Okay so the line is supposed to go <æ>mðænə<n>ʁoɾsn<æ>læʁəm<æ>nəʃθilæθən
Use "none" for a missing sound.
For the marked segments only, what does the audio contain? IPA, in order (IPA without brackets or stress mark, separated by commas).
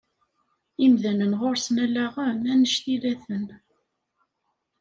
i, n, æ, æ